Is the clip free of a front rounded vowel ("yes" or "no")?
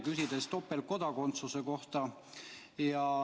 no